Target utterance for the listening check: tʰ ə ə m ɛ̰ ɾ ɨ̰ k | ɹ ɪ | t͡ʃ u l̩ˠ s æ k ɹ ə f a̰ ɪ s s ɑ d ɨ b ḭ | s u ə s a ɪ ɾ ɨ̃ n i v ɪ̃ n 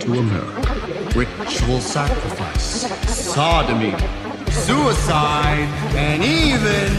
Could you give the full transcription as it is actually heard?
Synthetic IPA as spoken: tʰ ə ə m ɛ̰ ɹ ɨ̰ k | ɹ ɪ | t͡ʃ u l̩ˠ s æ k ɹ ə f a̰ ɪ s s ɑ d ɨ m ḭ | s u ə s a ɪ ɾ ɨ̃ n i v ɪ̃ n